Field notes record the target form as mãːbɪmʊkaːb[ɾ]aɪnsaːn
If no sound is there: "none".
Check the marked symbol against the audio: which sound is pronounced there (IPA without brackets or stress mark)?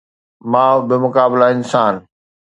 l